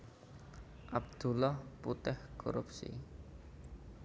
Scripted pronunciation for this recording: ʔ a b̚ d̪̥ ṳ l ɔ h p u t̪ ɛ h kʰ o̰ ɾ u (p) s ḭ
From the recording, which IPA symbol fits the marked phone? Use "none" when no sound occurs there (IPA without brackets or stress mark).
p